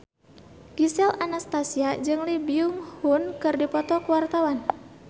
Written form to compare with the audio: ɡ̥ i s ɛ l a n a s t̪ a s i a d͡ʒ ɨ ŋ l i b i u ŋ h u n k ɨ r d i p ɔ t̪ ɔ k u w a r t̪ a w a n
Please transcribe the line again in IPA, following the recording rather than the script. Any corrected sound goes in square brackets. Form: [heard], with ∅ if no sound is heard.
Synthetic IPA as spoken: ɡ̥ i s ɛ l a n a s t̪ a s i a d͡ʒ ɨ ŋ l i b i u ŋ h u n k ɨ r d i p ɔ t̪ ɔ k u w a r t̪ a w a n